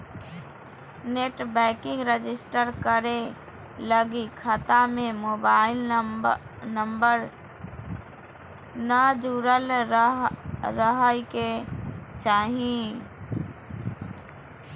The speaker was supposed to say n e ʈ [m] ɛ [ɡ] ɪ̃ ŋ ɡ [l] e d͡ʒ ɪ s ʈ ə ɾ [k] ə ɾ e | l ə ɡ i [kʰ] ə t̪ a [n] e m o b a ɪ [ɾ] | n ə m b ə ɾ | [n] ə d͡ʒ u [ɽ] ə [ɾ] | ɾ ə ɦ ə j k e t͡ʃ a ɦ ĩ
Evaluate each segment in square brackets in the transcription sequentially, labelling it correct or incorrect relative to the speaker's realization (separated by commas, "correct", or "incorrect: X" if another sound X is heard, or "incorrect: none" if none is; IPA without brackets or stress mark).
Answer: incorrect: b, incorrect: k, incorrect: ɾ, correct, correct, incorrect: m, incorrect: l, correct, incorrect: ɾ, incorrect: l